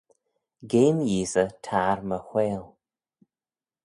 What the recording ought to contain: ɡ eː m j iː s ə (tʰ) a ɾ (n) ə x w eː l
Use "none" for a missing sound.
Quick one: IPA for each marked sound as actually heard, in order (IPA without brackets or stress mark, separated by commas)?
tʰ, m